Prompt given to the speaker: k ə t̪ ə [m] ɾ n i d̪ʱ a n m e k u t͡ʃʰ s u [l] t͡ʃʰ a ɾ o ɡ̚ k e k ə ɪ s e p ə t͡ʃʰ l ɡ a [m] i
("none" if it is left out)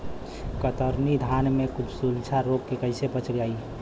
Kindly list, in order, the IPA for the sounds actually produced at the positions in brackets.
none, l, none

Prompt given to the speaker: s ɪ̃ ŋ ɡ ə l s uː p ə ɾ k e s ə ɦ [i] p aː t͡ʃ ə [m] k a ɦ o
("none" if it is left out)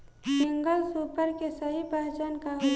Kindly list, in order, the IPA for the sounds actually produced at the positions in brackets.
i, n

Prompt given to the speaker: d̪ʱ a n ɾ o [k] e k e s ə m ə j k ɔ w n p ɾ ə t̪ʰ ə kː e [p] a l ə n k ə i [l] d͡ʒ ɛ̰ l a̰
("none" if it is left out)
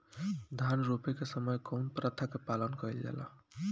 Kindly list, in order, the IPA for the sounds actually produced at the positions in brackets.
p, p, l

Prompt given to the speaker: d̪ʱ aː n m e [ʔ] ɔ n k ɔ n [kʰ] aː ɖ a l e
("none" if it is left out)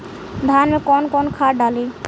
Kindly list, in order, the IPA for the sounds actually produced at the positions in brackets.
k, kʰ

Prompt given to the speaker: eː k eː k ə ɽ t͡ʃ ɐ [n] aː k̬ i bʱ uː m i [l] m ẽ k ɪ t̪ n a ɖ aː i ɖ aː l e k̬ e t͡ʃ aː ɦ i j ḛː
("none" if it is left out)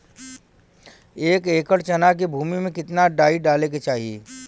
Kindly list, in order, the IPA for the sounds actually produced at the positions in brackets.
n, none

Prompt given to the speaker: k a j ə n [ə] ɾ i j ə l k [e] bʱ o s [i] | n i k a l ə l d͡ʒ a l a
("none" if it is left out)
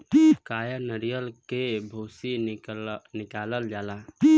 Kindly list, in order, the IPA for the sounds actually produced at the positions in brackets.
ə, e, i

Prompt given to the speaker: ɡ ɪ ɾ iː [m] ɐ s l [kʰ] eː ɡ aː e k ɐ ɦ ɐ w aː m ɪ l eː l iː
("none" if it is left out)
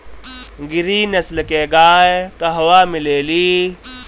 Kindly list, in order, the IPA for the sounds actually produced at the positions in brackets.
n, k

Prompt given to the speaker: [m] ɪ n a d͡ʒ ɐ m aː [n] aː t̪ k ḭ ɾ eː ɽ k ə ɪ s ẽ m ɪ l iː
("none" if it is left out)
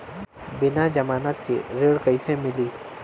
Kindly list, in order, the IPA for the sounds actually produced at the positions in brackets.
b, n

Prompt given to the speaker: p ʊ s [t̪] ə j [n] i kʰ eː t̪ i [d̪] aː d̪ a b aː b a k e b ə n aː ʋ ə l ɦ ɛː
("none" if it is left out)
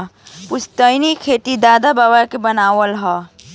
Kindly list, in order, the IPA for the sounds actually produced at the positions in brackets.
t̪, n, d̪

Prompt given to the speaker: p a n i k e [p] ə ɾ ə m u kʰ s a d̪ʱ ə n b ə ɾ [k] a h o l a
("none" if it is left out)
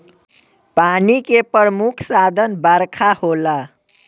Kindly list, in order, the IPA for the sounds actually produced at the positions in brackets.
p, kʰ

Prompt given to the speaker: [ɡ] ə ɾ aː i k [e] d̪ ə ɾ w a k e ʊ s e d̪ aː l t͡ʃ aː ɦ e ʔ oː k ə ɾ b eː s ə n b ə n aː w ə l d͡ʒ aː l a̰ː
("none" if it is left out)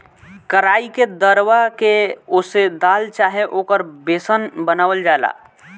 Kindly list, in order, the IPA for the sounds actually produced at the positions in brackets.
k, e

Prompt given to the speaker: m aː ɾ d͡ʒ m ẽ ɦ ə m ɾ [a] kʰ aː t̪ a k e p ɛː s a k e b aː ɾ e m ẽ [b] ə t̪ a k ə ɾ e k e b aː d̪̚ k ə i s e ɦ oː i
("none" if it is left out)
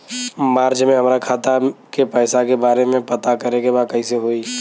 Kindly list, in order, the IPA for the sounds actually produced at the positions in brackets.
a, p

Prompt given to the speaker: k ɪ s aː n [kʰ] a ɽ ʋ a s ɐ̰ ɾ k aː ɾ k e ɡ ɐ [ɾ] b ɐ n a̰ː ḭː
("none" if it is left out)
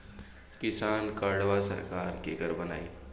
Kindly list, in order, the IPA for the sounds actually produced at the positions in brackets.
k, ɾ

